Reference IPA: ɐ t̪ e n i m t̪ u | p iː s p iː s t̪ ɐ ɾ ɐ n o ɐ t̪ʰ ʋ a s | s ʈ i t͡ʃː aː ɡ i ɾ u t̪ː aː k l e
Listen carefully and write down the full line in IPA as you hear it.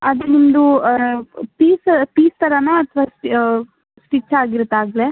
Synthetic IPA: ɐ d̪ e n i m d̪ u | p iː s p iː s t̪ ɐ ɾ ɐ n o ɐ t̪ʰ ʋ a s | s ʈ i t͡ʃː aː ɡ i ɾ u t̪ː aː ɡ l e

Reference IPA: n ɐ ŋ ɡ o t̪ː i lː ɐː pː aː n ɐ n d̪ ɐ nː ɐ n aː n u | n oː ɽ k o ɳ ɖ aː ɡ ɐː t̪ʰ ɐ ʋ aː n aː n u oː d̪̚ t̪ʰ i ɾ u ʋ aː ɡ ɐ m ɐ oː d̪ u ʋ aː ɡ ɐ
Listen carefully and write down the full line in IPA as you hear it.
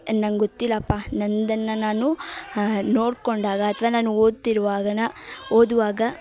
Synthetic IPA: n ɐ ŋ ɡ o t̪ː i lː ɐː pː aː n ɐ n d̪ ɐ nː ɐ n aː n u | n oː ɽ k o ɳ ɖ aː ɡ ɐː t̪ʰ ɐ ʋ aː n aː n u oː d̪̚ t̪ i ɾ u ʋ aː ɡ ɐ n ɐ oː d̪ u ʋ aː ɡ ɐ

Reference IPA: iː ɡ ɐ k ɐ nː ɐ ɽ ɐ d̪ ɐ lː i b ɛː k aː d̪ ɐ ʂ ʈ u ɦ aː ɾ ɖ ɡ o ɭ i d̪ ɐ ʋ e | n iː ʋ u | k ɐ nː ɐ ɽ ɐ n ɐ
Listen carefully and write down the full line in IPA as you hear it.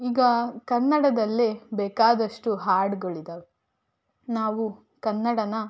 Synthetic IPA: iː ɡ ɐ k ɐ nː ɐ ɽ ɐ d̪ ɐ lː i b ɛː k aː d̪ ɐ ʂ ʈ u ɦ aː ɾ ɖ ɡ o ɭ i d̪ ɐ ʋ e | n aː ʋ u | k ɐ nː ɐ ɽ ɐ n ɐ

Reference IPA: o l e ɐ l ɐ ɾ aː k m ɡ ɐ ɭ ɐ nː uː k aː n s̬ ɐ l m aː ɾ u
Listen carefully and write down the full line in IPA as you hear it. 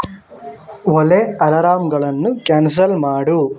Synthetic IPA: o l e ɐ l ɐ ɾ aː m ɡ ɐ ɭ ɐ nː u k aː n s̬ ɐ l m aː ɽ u

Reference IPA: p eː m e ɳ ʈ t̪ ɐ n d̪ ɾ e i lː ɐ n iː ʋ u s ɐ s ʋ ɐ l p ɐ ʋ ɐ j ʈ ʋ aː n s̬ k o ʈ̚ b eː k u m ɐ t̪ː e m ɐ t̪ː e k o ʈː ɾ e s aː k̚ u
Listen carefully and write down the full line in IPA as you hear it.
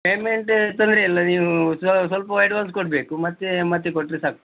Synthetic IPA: p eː m e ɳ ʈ t̪ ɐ n d̪ ɾ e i lː ɐ n iː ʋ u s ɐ s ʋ ɐ l p ɐ ʋ ɐ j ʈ ʋ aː n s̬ k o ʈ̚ b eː k u m ɐ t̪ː e m ɐ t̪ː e k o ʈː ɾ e s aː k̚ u

